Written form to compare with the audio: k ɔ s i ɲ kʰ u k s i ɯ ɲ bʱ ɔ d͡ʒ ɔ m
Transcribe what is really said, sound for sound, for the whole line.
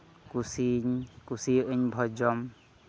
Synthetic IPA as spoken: k u s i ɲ k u s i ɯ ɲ bʱ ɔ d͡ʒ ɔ m